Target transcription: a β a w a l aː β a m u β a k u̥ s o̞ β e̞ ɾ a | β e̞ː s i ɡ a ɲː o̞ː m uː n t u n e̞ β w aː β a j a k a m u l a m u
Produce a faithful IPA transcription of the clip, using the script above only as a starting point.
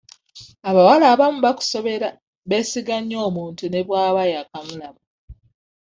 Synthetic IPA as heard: a β a w a l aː β a m u β a k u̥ s o̞ β e̞ ɾ a | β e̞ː s i ɡ a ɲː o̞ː m uː n t u n e̞ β w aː β a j a k a m u l a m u